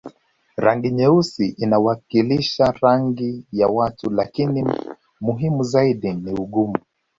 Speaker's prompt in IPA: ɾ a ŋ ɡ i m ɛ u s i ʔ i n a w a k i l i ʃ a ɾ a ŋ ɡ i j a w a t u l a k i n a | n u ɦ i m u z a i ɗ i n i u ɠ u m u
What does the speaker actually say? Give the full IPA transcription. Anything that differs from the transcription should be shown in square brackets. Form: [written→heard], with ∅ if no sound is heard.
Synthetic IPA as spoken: ɾ a ŋ ɡ i [m→ɲ] ɛ u s i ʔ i n a w a k i l i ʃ a ɾ a ŋ ɡ i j a w a t u l a k i n [a→i] | [n→m] u ɦ i m u z a i ɗ i n i u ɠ u m u